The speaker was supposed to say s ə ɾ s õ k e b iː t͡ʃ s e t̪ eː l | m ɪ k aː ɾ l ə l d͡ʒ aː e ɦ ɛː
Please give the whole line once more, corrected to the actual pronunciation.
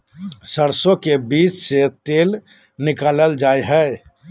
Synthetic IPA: s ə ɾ s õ k e b iː t͡ʃ s e t̪ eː l | n ɪ k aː l ə l d͡ʒ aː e ɦ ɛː